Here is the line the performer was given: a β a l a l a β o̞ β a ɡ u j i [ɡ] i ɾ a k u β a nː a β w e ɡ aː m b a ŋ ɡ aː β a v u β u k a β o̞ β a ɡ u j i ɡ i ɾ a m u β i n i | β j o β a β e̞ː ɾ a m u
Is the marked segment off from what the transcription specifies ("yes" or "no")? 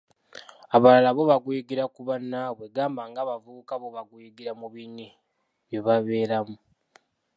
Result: no